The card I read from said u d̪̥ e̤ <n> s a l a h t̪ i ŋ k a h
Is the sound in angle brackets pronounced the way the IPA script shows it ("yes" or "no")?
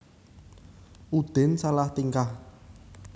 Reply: yes